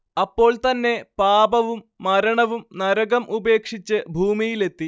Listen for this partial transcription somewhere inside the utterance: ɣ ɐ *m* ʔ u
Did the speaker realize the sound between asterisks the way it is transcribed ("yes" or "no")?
yes